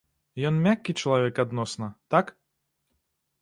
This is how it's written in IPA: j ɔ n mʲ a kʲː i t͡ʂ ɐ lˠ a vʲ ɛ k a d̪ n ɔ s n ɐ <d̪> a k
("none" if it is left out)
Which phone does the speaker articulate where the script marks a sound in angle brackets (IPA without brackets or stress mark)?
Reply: t̪